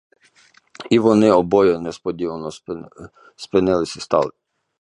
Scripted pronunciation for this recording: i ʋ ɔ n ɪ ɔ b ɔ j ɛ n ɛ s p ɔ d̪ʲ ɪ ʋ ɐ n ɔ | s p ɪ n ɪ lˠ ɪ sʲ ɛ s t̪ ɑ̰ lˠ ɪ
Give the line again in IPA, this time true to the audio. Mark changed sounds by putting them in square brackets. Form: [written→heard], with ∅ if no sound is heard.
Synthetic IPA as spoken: i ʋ ɔ n ɪ ɔ b ɔ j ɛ n ɛ s p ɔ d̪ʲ [ɪ→i] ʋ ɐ n ɔ | s p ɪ n ɪ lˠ ɪ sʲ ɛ s t̪ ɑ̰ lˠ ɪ